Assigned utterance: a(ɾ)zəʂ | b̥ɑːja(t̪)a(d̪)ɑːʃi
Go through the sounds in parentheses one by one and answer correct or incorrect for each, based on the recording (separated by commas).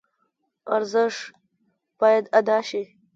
correct, incorrect, correct